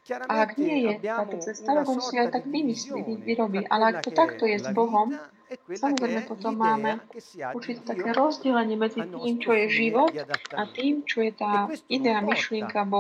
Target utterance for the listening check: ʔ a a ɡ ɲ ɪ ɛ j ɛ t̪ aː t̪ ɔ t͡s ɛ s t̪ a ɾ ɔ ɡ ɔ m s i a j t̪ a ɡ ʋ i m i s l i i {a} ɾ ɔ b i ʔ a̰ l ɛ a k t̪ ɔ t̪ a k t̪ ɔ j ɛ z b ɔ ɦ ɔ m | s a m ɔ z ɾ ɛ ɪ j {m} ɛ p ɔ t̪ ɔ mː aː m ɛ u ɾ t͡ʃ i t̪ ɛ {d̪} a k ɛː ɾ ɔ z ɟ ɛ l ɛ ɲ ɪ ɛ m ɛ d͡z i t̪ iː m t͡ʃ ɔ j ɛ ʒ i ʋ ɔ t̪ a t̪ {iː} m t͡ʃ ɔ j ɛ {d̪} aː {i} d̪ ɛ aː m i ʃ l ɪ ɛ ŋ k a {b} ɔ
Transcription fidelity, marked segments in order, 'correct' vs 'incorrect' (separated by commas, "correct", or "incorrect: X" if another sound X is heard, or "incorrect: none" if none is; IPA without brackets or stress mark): incorrect: i, correct, incorrect: t̪, correct, incorrect: t̪, correct, correct